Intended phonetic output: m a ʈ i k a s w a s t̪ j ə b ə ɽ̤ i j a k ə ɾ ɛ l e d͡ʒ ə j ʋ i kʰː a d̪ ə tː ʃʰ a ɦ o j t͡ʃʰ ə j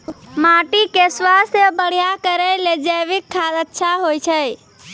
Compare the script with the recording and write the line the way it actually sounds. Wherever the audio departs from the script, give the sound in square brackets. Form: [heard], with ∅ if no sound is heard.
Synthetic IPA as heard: m a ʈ i k [e] s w a s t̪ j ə b ə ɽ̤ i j a k ə ɾ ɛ l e d͡ʒ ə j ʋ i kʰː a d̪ ə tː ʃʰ a ɦ o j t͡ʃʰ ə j